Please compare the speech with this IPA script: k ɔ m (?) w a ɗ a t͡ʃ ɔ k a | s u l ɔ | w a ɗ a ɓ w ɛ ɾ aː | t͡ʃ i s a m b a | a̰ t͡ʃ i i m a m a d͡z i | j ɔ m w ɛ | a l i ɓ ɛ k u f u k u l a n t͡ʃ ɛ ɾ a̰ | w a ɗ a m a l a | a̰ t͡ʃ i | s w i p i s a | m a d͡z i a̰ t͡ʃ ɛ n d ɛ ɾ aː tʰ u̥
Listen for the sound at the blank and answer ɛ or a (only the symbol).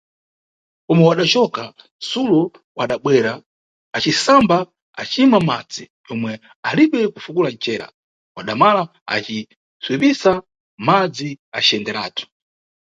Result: ɛ